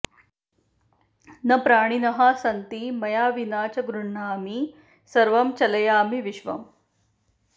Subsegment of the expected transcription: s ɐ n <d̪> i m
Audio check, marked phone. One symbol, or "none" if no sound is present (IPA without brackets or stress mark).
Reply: t̪